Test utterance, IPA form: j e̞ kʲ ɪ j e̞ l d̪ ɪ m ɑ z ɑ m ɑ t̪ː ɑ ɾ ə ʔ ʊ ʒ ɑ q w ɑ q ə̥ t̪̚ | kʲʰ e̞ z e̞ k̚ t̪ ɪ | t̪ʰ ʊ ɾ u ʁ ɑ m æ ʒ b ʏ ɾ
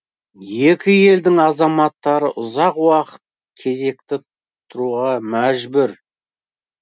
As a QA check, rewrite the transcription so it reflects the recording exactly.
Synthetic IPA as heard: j e̞ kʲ ɪ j e̞ l d̪ ɪ ŋ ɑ z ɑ m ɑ t̪ː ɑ ɾ ə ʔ ʊ z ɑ q w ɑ q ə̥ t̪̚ | kʲʰ e̞ z e̞ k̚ t̪ ɪ | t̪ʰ ʊ ɾ u ʁ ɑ m æ ʒ b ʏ ɾ